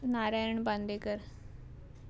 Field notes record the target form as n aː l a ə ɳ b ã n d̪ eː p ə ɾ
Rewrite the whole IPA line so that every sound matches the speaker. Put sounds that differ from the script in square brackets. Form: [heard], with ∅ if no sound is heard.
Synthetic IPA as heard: n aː [ɾ] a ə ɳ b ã n d̪ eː [k] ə ɾ

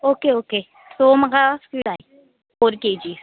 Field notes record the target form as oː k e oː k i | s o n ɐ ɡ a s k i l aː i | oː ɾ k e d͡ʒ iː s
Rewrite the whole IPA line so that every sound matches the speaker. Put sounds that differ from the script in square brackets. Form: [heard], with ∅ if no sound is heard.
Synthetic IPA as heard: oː k e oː k [e] | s o [m] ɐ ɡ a s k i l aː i | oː ɾ k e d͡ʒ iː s

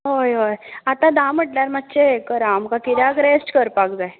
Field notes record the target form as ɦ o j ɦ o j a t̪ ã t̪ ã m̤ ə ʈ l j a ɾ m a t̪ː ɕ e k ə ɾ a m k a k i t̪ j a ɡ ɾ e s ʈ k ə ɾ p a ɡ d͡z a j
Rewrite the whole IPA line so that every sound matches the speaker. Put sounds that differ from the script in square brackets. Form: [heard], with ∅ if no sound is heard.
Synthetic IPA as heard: ɦ o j ɦ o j a t̪ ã [d̪] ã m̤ ə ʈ l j a ɾ m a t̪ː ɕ e k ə ɾ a m k a k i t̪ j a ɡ ɾ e s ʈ k ə ɾ p a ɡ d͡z a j

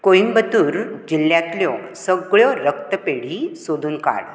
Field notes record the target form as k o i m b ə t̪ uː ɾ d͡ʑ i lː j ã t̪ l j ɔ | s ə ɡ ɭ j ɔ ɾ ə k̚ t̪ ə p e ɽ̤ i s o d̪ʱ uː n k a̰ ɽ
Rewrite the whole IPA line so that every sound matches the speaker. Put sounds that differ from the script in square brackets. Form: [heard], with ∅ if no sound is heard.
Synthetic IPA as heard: k o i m b ə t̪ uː ɾ d͡ʑ i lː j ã t̪ l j ɔ | s ə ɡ ɭ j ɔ ɾ ə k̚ t̪ ə p e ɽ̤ i s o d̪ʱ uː n k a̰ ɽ

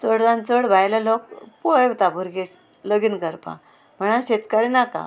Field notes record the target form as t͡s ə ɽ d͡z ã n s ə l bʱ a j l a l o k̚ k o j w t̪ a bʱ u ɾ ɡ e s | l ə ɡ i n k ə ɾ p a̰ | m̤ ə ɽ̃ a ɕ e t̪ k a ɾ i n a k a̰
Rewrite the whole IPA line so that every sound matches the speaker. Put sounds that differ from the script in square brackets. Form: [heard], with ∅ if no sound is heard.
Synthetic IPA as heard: t͡s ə ɽ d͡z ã n [t͡s] ə [ɽ] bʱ a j l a l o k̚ [p] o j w t̪ a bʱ u ɾ ɡ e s | l ə ɡ i n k ə ɾ p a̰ | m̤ ə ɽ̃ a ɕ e t̪ k a ɾ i n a k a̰

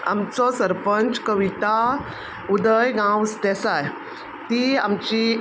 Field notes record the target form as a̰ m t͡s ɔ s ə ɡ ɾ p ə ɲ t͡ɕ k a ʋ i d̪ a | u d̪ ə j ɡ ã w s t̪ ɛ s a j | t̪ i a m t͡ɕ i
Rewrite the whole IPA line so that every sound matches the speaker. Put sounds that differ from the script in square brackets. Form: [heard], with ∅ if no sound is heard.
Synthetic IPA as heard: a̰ m t͡s ɔ s ə [∅] ɾ p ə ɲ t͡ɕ k [ə] ʋ i [t̪] a | u d̪ ə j ɡ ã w s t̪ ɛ s a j | t̪ i a m t͡ɕ i

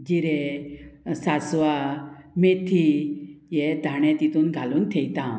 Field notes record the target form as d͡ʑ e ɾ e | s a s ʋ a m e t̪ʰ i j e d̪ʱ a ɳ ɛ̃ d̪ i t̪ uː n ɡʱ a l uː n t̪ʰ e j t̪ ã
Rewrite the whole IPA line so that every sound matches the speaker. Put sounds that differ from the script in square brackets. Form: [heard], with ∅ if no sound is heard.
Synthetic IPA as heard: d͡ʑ [i] ɾ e | s a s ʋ a m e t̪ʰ i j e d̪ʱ a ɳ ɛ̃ [t̪] i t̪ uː n ɡʱ a l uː n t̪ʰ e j t̪ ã

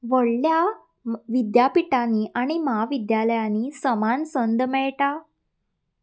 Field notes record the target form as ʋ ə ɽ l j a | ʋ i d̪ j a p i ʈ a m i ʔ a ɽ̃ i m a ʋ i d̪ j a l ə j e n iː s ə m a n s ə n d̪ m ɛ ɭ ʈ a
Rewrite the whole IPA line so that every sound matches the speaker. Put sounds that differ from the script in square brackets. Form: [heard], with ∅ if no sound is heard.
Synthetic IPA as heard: ʋ ə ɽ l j a | ʋ i d̪ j a p i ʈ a [n] i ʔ a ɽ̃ i m a ʋ i d̪ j a l ə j [a] n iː s ə m a n s ə n d̪ m ɛ ɭ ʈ a

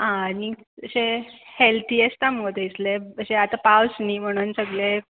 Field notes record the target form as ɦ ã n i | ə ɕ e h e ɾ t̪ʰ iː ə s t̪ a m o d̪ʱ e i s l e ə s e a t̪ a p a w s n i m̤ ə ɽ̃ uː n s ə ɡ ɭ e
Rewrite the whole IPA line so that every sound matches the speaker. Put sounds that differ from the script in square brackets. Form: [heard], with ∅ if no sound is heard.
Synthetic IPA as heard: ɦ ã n i | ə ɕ e h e [l] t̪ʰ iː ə s t̪ a m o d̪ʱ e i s l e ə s e a t̪ a p a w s n i m̤ ə ɽ̃ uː n s ə ɡ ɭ e

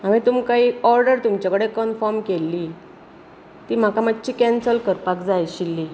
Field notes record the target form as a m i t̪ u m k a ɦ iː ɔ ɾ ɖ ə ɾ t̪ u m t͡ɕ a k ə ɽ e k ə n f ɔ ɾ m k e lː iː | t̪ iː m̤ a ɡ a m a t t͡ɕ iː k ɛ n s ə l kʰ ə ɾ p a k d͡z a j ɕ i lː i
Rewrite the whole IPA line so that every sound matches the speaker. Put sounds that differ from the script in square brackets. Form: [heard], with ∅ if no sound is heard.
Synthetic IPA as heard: a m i t̪ u m k a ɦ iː ɔ ɾ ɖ ə ɾ t̪ u m t͡ɕ a k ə ɽ e k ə n f ɔ ɾ m k e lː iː | t̪ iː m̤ a [k] a m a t t͡ɕ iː k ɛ n s ə l [k] ə ɾ p a k d͡z a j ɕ i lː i

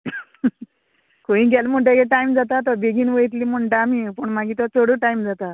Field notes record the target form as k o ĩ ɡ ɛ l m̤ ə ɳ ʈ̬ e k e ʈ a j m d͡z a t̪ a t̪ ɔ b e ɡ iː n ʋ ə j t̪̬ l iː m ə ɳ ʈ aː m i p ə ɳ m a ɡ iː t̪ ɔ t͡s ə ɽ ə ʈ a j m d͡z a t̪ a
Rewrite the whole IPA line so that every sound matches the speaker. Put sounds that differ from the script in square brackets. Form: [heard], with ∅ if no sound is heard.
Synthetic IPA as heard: k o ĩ ɡ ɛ l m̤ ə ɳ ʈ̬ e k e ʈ a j m d͡z a t̪ a t̪ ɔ b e ɡ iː n ʋ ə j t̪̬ l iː m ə ɳ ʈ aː m i p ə ɳ m a ɡ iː t̪ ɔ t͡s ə ɽ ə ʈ a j m d͡z a t̪ a

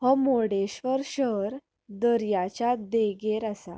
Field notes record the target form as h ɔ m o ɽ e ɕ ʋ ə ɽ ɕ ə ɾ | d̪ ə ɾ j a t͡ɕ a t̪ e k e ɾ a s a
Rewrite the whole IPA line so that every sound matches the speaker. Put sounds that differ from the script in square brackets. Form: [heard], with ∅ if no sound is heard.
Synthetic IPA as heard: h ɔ m o ɽ e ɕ ʋ ə [ɾ] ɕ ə ɾ | d̪ ə ɾ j a t͡ɕ a [d̪] e [ɡ] e ɾ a s a

